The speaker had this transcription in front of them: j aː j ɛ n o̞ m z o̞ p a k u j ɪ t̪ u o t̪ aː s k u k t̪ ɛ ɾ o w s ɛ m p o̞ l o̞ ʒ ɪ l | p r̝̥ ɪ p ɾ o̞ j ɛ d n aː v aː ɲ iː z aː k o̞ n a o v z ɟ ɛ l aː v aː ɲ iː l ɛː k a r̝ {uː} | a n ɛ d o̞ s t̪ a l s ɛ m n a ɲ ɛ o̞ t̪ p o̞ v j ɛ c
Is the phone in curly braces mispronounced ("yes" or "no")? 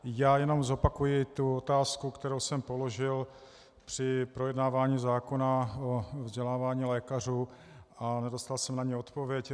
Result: no